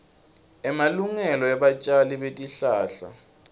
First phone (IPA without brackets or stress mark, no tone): ɛ